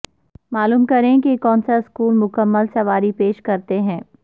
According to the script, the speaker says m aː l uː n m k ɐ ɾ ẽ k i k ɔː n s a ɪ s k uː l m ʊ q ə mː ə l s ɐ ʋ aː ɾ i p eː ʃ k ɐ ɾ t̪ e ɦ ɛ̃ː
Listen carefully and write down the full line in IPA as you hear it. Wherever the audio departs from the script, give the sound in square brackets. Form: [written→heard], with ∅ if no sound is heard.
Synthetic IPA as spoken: m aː l uː [n→∅] m k ɐ ɾ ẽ k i k ɔː n s a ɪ s k uː l m ʊ [q→k] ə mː ə l s ɐ ʋ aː ɾ i p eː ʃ k ɐ ɾ t̪ e ɦ ɛ̃ː